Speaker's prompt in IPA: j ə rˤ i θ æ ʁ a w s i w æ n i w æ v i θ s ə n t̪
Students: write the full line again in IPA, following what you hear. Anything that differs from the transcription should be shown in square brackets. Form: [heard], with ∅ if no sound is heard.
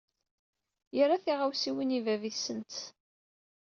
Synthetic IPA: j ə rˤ [a] θ [i] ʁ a w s i w [i] n i [v] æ v i θ s ə n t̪